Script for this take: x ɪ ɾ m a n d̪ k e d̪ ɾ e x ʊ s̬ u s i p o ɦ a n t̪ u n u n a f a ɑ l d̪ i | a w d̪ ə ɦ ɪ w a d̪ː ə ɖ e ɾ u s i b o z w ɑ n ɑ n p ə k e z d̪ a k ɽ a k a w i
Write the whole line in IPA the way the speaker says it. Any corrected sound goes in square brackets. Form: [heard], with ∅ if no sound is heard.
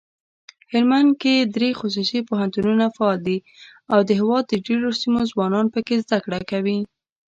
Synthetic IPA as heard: [h] ɪ ɾ m a n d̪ k e d̪ ɾ e x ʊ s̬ u s i p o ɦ a n t̪ u n u n a f a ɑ l d̪ i | a w d̪ ə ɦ ɪ w [ɑ] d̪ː ə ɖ e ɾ [o] s i [m] o z w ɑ n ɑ n p ə k e z d̪ a k ɽ a k a w i